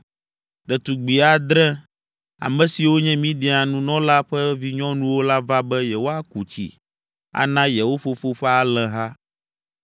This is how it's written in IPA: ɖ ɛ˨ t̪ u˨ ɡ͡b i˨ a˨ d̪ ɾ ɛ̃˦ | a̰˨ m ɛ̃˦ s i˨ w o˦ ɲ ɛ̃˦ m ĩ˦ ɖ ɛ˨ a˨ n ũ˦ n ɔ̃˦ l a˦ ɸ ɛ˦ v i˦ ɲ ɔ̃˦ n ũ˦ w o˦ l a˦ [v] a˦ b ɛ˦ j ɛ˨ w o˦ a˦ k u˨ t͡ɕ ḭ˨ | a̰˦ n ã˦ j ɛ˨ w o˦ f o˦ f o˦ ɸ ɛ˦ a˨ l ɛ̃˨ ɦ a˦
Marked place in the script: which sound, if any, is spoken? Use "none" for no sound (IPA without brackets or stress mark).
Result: v